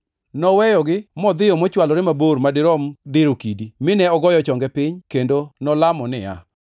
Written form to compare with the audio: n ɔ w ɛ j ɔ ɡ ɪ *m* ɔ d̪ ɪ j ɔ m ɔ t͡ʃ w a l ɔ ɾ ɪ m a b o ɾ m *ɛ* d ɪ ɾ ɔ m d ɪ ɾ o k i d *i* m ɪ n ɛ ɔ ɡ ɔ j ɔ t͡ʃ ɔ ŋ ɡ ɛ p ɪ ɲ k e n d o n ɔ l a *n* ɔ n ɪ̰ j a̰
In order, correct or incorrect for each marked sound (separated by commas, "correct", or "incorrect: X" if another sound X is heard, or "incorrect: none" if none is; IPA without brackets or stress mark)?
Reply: correct, incorrect: a, correct, incorrect: m